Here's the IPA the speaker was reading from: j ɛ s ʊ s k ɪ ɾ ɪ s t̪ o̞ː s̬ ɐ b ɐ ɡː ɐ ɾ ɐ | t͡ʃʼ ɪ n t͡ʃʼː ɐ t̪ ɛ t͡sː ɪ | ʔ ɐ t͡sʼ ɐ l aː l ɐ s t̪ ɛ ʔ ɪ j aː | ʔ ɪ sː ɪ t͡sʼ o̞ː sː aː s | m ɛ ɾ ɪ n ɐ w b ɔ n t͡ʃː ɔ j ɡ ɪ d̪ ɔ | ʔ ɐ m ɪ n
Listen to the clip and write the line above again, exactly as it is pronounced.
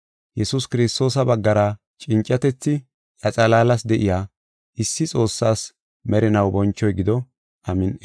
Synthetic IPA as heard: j ɛ s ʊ s k ɪ ɾ ɪ s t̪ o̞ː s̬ ɐ b ɐ ɡː ɐ ɾ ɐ | t͡ʃʼ ɪ n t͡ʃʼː ɐ t̪ ɛ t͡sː ɪ | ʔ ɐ t͡sʼ ɐ l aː l ɐ s d̪ ɛ ʔ ɪ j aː | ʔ ɪ sː ɪ t͡sʼ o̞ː sː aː s | m ɛ ɾ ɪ n ɐ w b ɔ n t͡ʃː ɔ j ɡ ɪ d̪ ɔ | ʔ ɐ m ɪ n